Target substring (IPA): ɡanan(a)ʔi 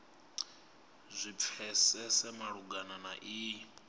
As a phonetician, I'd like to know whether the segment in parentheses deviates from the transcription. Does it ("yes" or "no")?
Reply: no